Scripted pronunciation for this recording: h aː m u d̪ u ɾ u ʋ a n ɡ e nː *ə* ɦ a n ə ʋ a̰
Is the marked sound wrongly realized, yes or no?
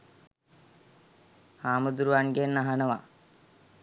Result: yes